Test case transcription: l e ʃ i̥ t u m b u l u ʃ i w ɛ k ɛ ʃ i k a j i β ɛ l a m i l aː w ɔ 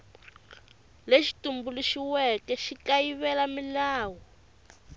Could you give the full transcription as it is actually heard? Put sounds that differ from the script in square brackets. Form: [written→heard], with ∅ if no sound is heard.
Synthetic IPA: l e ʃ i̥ t u m b u l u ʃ i w ɛ k ɛ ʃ i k a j i β ɛ l a m i l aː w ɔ